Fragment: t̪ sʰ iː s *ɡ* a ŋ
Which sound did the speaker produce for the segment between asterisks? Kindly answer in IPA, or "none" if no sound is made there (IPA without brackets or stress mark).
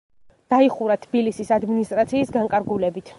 ɡ